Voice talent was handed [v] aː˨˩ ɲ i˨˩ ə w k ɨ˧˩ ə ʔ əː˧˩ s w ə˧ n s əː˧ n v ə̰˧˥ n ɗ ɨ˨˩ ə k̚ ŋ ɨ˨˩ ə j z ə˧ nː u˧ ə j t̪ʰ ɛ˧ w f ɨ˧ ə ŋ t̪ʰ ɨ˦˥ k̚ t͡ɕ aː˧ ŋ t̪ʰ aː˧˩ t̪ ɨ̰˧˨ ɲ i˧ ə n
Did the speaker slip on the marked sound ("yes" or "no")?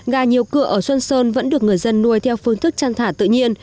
yes